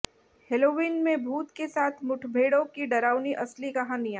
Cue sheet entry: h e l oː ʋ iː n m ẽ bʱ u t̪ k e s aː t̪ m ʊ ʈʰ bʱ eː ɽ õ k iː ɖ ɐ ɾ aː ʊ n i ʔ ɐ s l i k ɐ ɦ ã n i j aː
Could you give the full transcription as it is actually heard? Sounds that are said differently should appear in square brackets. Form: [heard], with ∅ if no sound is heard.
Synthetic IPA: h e l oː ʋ iː n m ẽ bʱ [uː] t̪ k e s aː [t̪ʰ] m ʊ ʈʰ bʱ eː ɽ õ k [i] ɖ ɐ ɾ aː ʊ n i ʔ ɐ s l i k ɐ ɦ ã n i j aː

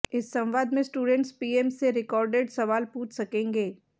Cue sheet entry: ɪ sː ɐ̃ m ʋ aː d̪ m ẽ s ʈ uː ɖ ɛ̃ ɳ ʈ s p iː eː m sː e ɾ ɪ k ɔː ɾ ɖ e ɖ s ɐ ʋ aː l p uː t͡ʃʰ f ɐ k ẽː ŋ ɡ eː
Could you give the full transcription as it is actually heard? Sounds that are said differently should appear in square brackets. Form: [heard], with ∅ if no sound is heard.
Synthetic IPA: ɪ sː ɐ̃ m ʋ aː d̪ m ẽ s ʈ uː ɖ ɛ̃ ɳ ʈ s p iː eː m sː e ɾ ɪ k ɔː ɾ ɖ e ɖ s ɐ ʋ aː l p uː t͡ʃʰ [s] ɐ k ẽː ŋ ɡ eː

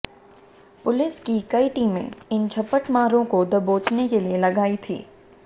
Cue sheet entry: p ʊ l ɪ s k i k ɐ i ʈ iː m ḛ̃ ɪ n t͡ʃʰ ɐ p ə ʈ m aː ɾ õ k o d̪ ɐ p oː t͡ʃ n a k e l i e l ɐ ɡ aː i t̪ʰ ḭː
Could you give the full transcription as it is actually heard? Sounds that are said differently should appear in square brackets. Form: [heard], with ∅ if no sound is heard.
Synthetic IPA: p ʊ l ɪ s k i k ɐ i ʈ iː m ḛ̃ ɪ n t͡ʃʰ ɐ p ə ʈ m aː ɾ õ k o d̪ ɐ [b] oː t͡ʃ n [e] k e l i e l ɐ ɡ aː i t̪ʰ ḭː

